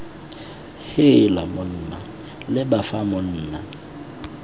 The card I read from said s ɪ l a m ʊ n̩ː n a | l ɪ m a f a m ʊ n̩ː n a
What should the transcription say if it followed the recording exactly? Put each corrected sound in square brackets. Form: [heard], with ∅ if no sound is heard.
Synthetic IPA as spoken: [h] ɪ l a m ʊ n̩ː n a | l ɪ [b] a f a m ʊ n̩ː n a